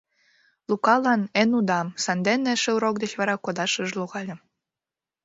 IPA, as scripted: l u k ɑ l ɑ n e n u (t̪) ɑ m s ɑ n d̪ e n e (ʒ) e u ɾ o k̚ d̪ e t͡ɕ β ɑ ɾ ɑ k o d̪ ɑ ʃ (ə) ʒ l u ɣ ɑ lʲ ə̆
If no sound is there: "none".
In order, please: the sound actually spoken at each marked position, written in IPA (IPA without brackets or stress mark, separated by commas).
d̪, ʃ, ə